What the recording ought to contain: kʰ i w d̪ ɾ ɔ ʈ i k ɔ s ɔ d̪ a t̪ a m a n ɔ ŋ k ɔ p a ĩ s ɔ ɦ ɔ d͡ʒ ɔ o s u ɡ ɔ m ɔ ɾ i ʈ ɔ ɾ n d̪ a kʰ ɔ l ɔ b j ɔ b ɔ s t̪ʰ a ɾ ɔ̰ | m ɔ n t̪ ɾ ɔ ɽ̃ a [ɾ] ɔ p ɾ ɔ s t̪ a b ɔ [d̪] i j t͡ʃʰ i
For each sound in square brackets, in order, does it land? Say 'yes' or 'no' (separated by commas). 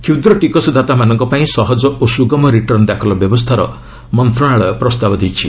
no, yes